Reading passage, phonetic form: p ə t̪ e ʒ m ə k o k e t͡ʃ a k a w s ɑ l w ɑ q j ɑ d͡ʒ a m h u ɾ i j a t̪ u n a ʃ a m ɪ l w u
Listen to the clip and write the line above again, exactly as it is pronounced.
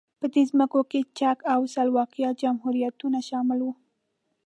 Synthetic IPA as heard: p ə d̪ e z m ə k o k e t͡ʃ a k a w s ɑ l w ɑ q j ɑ d͡ʒ a m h u ɾ i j a t̪ u n a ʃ ɑ m ɪ l w u

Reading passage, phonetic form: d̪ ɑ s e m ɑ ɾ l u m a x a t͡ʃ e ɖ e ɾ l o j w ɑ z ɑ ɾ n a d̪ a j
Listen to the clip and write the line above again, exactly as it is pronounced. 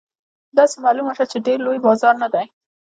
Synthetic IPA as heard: d̪ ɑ s e m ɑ l u m a ʃ a t͡ʃ e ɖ e ɾ l o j b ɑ z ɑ ɾ n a d̪ a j

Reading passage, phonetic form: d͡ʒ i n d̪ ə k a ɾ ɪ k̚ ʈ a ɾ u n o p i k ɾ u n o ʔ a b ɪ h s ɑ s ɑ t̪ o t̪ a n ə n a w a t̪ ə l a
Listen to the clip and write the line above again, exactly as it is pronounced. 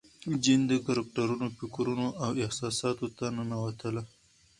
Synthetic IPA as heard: d͡ʒ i n d̪ ə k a ɾ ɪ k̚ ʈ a ɾ u n o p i k ɾ u n o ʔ a w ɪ h s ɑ s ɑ t̪ o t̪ a n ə n a w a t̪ ə l a

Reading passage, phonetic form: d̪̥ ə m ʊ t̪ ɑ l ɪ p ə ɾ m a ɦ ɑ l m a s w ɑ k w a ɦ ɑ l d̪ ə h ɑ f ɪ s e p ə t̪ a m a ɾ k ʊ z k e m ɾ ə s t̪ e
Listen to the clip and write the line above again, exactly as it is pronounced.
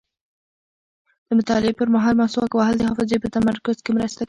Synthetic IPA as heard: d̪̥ ə m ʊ t̪ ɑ l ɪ p ə ɾ m a ɦ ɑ l m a s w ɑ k w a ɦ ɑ l d̪ ə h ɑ f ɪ z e p ə t̪ a m a ɾ k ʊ z k e m ɾ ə s t̪ a

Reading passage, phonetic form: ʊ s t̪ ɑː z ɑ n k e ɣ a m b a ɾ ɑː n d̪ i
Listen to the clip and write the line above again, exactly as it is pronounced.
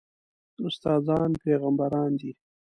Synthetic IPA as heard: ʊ s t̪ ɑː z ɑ n p e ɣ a m b a ɾ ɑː n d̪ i

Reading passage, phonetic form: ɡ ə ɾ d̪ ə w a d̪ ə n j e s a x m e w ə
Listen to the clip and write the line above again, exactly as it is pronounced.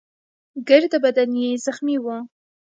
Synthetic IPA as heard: ɡ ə ɾ d̪ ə b a d̪ a n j e z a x m i w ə

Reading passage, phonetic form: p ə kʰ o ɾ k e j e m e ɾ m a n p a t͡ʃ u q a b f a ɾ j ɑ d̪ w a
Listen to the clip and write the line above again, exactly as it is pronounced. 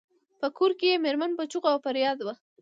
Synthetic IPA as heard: p ə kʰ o ɾ k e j e m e ɾ m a n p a t͡ʃ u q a w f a ɾ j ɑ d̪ w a

